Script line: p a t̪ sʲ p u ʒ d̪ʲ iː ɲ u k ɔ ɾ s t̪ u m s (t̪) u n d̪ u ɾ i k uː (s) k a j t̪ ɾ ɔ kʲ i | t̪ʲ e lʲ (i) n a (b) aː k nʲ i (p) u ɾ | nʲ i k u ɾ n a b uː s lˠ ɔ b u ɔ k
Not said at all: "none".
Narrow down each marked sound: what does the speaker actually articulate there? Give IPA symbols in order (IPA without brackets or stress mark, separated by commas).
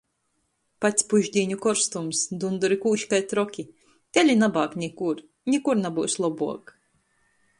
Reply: d̪, ʃ, i, b, k